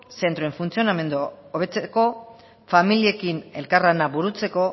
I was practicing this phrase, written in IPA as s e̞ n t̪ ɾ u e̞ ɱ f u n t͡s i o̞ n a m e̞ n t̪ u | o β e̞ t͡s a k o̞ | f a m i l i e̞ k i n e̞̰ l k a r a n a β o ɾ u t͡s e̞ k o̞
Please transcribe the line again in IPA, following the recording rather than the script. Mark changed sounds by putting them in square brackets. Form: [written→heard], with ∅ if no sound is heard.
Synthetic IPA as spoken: s e̞ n t̪ ɾ [u→o] e̞ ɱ f u n t͡s i o̞ n a m e̞ n [t̪→d̪] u | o β e̞ t͡s [a→e] k o̞ | f a m i l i e̞ k i n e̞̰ l k a r a n a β [o→u] ɾ u t͡s e̞ k o̞